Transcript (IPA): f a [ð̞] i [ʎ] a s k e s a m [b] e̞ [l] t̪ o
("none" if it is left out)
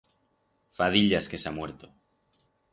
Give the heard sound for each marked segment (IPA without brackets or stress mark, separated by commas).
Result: ð̞, ʎ, w, ɾ